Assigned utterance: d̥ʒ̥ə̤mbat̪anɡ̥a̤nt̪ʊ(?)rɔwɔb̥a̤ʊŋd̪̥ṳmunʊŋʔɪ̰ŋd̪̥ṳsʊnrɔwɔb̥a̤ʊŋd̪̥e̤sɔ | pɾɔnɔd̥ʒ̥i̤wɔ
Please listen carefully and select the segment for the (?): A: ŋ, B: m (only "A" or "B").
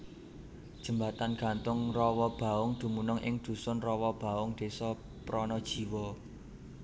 A